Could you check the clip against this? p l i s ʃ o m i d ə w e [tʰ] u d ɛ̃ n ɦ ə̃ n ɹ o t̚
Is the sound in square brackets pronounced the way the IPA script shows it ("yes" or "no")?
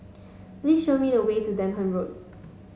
no